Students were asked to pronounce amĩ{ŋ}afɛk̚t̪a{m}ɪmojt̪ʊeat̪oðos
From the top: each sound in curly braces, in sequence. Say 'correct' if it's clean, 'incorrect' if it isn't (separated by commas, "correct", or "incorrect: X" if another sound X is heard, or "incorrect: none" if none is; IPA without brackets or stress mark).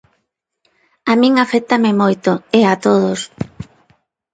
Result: correct, correct